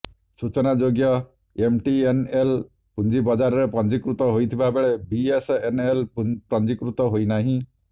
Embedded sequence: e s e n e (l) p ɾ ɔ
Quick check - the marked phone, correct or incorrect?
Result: correct